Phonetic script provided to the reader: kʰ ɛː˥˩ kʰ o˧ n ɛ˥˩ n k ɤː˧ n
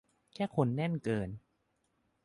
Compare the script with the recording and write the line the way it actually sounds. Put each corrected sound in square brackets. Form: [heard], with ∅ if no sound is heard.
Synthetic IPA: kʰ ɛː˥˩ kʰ o˧ [nː] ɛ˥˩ n k ɤː˧ n

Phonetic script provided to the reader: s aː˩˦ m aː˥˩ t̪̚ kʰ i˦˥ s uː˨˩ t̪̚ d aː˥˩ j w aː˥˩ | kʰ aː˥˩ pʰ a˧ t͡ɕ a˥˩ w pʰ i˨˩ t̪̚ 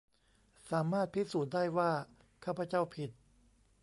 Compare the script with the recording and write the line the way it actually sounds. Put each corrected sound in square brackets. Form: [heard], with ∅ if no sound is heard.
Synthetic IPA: s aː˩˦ m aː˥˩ t̪̚ [pʰ] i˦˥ s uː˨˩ t̪̚ d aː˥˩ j w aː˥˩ | kʰ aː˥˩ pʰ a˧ t͡ɕ a˥˩ w pʰ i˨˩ t̪̚

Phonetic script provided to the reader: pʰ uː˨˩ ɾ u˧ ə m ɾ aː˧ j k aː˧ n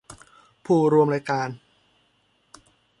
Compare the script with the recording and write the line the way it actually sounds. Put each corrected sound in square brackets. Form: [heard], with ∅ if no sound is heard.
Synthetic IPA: pʰ uː˨˩ ɾ u˧ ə m ɾ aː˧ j k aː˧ n

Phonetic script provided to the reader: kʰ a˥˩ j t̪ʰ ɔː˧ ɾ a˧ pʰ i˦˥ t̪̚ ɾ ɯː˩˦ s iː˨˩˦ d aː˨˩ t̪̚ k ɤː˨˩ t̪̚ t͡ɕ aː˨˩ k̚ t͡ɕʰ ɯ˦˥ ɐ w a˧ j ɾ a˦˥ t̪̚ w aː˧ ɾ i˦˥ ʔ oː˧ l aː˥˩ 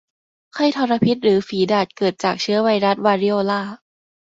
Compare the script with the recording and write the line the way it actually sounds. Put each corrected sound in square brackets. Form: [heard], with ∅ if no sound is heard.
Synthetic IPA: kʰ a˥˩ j t̪ʰ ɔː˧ ɾ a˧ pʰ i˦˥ t̪̚ ɾ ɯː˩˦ [f] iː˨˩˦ d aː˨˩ t̪̚ k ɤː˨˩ t̪̚ t͡ɕ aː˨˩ k̚ t͡ɕʰ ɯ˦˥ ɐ w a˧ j ɾ a˦˥ t̪̚ w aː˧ ɾ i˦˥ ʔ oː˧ l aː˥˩

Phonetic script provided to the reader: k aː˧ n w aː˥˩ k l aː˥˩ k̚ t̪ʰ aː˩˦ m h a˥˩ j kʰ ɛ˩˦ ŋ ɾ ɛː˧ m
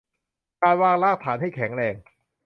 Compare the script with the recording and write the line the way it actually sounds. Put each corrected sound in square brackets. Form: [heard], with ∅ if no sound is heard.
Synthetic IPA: k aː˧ n w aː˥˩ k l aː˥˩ k̚ t̪ʰ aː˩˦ [n] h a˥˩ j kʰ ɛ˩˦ ŋ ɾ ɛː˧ [ŋ]

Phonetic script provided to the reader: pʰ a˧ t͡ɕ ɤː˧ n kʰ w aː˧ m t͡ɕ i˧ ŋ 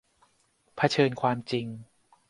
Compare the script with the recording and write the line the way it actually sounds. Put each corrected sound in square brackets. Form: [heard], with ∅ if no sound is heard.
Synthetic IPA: pʰ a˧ [t͡ɕʰ] ɤː˧ n kʰ w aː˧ m t͡ɕ i˧ ŋ

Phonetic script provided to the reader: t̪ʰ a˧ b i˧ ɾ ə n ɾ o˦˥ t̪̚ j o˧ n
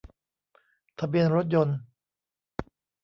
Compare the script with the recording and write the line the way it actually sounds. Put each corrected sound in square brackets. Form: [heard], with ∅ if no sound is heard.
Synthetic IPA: t̪ʰ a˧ b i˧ [∅] ə n ɾ o˦˥ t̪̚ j o˧ n

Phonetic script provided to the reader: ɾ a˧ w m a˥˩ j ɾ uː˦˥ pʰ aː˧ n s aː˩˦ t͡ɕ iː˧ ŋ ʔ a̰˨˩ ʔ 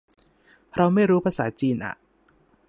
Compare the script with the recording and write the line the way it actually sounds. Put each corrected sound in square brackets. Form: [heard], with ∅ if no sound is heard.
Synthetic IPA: ɾ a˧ w m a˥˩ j ɾ uː˦˥ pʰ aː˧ [∅] s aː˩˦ t͡ɕ iː˧ [n] ʔ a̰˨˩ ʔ

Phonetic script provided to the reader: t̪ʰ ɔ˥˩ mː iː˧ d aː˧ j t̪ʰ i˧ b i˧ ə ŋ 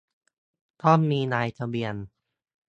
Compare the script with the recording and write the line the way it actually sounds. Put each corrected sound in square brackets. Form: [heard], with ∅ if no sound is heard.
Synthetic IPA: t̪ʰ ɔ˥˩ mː iː˧ [n] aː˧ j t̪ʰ [a˧] b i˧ ə [n]

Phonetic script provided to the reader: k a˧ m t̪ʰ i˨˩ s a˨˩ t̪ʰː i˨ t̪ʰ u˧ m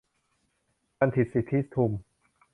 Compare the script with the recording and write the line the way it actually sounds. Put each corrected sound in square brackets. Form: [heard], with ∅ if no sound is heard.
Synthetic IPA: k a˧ [n] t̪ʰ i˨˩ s [i˨˩] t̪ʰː [i˦˥] t̪ʰ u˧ m

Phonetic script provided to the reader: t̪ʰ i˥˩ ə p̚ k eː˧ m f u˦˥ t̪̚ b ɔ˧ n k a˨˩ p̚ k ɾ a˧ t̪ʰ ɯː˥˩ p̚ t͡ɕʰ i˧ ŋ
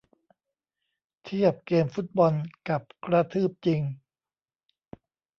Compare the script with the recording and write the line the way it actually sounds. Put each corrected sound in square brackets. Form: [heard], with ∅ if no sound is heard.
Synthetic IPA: t̪ʰ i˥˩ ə p̚ k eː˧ m f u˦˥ t̪̚ b ɔ˧ n k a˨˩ p̚ k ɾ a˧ t̪ʰ ɯː˥˩ p̚ [t͡ɕ] i˧ ŋ

